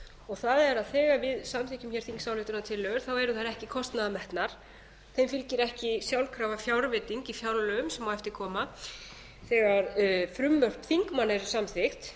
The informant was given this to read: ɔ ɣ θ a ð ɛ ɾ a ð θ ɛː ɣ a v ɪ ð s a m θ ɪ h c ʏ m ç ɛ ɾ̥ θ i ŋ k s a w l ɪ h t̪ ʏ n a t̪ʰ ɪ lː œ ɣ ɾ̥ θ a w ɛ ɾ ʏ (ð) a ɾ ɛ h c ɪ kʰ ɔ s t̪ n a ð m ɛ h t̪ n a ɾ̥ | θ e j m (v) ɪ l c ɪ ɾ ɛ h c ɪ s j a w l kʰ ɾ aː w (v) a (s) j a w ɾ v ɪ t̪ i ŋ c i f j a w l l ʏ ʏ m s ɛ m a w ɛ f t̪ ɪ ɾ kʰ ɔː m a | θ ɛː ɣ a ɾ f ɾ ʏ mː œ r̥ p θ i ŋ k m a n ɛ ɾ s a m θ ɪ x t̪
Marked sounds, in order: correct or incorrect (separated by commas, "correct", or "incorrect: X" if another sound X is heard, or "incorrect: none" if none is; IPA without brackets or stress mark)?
incorrect: θ, incorrect: f, correct, incorrect: f